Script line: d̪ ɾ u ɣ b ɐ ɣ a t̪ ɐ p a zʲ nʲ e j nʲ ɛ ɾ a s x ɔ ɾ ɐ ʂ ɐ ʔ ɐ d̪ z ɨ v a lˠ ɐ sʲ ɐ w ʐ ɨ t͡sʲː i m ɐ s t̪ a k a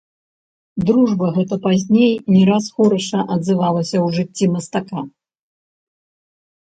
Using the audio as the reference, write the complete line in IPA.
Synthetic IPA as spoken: d̪ ɾ u ʐ b ɐ ɣ ɛ t̪ ɐ p a zʲ nʲ e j nʲ ɛ ɾ a s x ɔ ɾ ɐ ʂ ɐ ʔ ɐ d̪ z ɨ v a lˠ ɐ sʲ ɐ w ʐ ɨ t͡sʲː i m ɐ s t̪ a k a